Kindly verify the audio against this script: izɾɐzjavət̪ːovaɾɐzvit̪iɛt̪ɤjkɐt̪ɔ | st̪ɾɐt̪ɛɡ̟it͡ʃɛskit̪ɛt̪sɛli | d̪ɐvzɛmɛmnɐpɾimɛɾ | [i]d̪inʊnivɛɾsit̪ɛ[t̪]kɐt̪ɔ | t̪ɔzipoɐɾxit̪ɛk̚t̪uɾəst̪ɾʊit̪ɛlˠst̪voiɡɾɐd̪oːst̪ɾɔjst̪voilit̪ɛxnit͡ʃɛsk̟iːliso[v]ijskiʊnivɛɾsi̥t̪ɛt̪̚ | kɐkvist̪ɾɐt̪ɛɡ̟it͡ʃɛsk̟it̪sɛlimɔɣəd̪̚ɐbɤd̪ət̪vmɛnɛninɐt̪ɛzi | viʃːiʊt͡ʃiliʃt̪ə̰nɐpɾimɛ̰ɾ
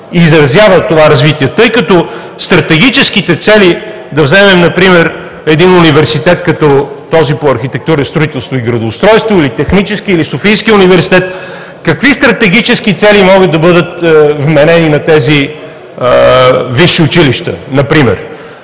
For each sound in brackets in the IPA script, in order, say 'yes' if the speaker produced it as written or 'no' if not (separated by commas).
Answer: no, yes, no